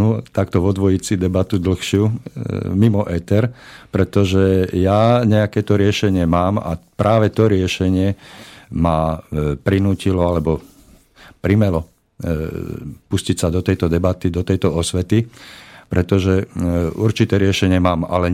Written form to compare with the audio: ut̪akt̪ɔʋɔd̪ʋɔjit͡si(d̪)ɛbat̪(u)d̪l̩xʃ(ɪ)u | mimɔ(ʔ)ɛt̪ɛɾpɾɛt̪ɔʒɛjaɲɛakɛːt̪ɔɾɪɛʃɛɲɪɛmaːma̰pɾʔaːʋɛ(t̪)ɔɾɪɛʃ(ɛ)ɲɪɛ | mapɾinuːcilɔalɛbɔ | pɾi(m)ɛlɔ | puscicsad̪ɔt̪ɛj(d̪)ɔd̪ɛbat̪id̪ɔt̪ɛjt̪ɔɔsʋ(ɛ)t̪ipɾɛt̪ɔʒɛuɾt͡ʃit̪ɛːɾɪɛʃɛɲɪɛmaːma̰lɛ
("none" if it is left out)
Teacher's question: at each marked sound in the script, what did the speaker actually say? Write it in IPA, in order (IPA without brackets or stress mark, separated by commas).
d̪, u, ɪ, ʔ, t̪, ɛ, m, t̪, ɛ